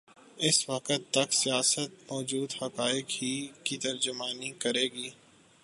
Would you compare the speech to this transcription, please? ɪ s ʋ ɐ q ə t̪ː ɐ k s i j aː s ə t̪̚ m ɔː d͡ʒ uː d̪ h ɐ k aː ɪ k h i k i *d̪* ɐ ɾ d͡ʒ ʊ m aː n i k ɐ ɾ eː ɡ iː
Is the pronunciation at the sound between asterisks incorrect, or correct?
incorrect